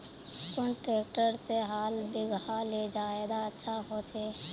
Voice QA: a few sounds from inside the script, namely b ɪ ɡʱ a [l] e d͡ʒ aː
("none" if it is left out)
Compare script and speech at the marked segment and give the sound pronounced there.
l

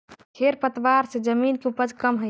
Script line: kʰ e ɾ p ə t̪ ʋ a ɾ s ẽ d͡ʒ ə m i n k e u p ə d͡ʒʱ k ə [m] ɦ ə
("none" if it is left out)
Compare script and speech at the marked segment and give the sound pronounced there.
m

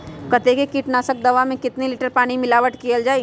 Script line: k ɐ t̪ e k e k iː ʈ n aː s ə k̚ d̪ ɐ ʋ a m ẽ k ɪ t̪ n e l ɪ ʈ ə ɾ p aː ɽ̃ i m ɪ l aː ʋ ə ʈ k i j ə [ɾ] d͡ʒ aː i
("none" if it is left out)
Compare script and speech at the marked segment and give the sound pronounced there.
l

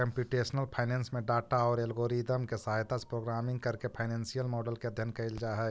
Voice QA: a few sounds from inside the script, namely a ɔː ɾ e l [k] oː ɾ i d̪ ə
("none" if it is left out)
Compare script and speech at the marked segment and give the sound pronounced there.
ɡ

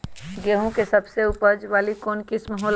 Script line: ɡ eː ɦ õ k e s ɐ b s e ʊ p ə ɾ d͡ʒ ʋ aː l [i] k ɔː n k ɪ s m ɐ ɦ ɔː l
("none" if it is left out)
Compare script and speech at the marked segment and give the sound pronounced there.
i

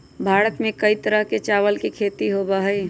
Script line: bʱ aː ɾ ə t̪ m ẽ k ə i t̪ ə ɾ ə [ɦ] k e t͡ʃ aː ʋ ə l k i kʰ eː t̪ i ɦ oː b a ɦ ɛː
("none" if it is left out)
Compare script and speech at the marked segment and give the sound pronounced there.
ɦ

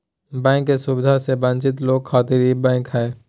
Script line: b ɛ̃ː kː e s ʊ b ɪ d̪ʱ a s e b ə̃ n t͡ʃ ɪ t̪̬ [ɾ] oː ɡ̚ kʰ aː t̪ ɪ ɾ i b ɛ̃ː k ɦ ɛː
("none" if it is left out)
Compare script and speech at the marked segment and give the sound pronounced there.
l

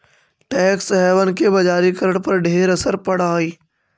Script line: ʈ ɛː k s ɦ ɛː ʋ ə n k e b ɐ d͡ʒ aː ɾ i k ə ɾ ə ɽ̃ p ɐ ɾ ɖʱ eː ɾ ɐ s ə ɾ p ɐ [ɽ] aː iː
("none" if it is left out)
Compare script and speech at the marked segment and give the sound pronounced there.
ɽ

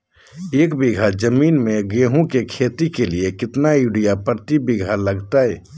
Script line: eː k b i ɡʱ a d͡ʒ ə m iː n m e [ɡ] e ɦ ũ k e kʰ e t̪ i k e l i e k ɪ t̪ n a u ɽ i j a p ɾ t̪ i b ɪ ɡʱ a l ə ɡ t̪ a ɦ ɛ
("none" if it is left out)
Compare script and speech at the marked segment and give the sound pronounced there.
ɡ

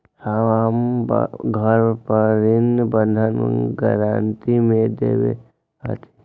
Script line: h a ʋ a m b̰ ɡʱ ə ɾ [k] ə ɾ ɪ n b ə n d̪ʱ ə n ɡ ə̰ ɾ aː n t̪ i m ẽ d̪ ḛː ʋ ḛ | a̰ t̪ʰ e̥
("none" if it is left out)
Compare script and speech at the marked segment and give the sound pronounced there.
p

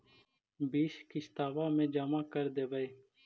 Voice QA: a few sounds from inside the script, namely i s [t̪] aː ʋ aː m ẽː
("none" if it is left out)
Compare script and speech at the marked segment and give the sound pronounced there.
t̪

